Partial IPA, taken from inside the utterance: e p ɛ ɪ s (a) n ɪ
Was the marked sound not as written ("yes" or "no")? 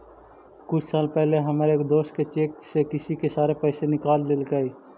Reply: yes